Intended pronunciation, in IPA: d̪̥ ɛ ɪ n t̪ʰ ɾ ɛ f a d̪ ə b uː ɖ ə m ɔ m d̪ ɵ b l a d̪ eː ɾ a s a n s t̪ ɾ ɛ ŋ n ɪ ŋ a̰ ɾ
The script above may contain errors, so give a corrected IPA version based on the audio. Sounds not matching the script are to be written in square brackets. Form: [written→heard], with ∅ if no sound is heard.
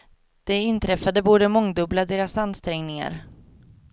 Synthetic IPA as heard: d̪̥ ɛ ɪ n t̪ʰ ɾ ɛ f a d̪ ə b uː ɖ ə m ɔ [m→ŋ] d̪ ɵ b l a d̪ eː ɾ a s a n s t̪ ɾ ɛ ŋ n ɪ ŋ a̰ ɾ